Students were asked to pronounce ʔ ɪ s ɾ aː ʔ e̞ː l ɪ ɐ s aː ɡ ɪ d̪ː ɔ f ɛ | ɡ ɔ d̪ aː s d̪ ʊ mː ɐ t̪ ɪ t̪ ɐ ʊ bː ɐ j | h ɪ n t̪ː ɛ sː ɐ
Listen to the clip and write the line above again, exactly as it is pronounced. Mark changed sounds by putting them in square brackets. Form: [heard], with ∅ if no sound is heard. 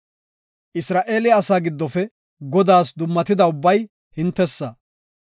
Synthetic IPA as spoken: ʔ ɪ s ɾ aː ʔ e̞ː l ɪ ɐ s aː ɡ ɪ d̪ː ɔ f ɛ | ɡ ɔ d̪ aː s d̪ ʊ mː ɐ t̪ ɪ [d̪] ɐ ʊ bː ɐ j | h ɪ n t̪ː ɛ sː ɐ